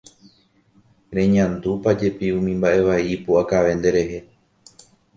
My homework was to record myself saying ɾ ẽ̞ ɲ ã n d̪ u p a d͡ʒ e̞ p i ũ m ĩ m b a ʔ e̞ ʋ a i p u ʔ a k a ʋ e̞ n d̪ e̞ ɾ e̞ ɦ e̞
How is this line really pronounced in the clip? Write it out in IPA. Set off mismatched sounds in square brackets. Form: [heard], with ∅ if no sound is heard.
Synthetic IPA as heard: ɾ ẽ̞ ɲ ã n d̪ u p a d͡ʒ e̞ p i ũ m ĩ m b a ʔ e̞ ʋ a i p u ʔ a k a ʋ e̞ n d̪ e̞ ɾ e̞ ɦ e̞